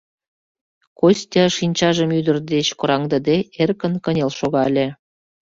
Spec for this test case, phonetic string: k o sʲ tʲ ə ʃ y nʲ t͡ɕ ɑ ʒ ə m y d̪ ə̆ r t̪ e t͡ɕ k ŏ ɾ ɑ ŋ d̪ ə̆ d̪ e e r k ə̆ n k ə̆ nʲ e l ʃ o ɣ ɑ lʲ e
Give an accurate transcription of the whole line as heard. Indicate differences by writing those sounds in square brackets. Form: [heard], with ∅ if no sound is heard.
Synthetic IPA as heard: k o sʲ tʲ [ɑ] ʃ [i] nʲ t͡ɕ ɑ ʒ ə m y d̪ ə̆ r [d̪] e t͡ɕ k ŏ ɾ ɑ ŋ d̪ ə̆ d̪ e e r k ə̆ n k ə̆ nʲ e l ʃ o ɣ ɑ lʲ e